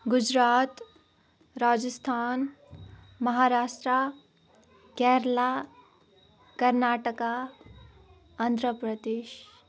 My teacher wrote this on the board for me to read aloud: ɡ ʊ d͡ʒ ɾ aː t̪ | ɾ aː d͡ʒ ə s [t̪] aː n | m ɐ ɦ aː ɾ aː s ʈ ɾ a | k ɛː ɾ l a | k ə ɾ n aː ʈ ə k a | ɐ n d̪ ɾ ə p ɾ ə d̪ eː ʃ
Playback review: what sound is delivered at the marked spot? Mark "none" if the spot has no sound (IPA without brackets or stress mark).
t̪ʰ